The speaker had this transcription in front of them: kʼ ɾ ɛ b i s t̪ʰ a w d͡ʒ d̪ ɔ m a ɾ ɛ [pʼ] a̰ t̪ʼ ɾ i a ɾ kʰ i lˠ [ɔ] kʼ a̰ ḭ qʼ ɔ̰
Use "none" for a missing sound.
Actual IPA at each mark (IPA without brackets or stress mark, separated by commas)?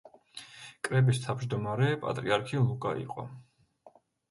pʼ, u